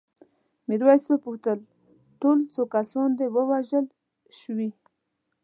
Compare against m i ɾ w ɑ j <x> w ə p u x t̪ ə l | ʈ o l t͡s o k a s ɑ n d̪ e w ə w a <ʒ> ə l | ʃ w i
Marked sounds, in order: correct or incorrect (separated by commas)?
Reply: incorrect, correct